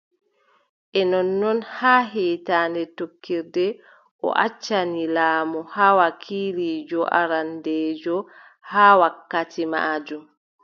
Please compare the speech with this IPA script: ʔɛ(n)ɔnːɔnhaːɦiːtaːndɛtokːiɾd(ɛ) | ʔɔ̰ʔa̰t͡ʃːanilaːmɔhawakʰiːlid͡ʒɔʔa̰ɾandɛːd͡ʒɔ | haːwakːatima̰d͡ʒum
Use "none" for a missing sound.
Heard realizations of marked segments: n, ɛ

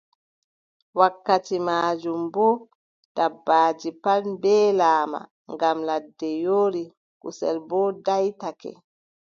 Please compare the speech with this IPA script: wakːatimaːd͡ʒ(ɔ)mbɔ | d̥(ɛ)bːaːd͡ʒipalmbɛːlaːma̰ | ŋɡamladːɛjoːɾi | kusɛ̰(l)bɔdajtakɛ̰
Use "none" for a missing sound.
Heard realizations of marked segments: u, a, l

